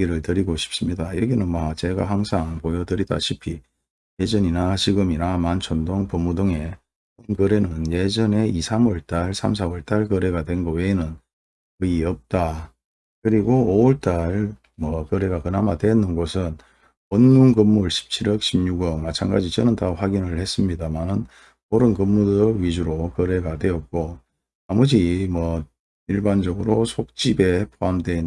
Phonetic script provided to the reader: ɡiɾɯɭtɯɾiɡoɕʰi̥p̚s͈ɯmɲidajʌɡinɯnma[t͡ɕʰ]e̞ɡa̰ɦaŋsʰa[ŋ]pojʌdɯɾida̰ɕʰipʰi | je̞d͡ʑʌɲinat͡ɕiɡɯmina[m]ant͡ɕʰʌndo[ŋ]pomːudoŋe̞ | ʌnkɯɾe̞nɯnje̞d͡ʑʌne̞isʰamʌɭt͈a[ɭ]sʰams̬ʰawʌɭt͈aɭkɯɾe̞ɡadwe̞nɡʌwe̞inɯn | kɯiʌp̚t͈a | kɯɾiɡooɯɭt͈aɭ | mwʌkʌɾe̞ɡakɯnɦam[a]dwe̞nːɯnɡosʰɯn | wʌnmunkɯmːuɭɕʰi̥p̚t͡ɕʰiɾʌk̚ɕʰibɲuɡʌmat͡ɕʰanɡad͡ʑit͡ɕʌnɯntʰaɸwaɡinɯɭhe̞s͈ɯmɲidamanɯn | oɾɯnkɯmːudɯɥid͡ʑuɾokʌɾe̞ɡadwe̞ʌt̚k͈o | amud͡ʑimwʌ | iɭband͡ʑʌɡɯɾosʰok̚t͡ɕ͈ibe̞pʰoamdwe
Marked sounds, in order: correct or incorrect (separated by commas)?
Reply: incorrect, correct, correct, correct, correct, correct